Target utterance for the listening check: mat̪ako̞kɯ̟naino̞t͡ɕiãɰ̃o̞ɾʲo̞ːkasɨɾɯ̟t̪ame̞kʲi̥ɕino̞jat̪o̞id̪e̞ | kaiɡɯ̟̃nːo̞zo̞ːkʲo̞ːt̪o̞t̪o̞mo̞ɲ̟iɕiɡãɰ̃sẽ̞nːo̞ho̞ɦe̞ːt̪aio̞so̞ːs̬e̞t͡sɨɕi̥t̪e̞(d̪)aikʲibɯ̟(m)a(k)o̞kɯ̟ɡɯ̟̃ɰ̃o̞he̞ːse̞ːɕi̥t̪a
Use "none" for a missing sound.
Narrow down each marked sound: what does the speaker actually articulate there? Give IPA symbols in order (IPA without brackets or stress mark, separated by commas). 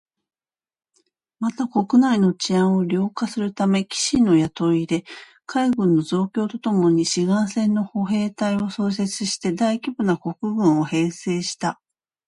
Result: d̪, n, k